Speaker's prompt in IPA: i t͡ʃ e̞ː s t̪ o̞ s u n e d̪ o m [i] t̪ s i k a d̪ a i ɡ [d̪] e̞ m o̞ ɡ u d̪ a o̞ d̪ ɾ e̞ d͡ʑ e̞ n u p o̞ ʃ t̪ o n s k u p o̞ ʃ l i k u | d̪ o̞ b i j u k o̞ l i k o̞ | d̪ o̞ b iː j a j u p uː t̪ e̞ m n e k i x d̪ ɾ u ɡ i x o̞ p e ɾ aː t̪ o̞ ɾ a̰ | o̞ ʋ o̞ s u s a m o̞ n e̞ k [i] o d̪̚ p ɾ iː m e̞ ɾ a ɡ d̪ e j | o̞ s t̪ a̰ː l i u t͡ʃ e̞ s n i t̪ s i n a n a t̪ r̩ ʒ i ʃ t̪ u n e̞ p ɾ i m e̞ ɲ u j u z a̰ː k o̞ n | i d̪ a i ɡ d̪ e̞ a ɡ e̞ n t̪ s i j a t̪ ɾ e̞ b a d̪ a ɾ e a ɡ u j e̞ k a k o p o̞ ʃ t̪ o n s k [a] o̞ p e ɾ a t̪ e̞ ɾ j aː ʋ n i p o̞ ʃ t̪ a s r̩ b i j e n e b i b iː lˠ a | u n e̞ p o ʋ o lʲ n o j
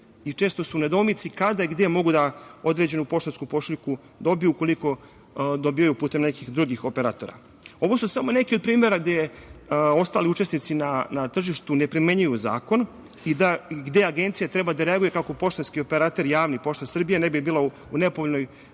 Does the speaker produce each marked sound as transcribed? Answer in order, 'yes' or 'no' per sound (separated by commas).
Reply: yes, yes, yes, no